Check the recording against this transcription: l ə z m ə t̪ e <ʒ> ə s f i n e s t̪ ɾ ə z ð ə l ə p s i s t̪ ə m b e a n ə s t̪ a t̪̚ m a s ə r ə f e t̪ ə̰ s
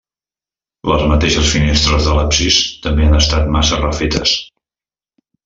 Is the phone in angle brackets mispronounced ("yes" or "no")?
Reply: yes